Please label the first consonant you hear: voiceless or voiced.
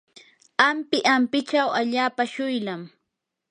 voiced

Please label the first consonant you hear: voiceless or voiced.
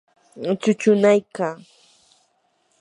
voiceless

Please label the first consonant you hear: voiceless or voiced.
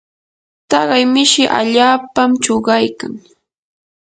voiceless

